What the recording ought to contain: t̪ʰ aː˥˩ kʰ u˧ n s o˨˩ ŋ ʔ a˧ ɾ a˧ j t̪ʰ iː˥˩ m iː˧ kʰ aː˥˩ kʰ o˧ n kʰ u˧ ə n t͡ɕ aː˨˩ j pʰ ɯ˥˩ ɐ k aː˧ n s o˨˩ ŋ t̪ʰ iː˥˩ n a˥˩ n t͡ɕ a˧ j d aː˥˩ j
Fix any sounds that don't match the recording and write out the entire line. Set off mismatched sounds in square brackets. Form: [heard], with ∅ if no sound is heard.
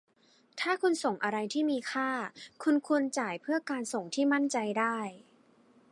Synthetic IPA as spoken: t̪ʰ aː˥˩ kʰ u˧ n s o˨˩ ŋ ʔ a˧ ɾ a˧ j t̪ʰ iː˥˩ m iː˧ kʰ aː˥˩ kʰ [u˧] n kʰ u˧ ə n t͡ɕ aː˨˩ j pʰ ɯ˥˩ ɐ k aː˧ n s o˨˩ ŋ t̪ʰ iː˥˩ [m] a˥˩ n t͡ɕ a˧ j d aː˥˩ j